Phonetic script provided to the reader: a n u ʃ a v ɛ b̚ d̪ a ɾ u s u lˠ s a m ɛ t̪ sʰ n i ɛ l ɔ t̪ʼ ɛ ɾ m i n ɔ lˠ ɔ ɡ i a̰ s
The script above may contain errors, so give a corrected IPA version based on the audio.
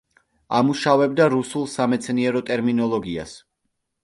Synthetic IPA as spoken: a m u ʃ a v ɛ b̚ d̪ a ɾ u s u lˠ s a m ɛ t̪ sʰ n i ɛ ɾ ɔ t̪ʼ ɛ ɾ m i n ɔ lˠ ɔ ɡ i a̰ s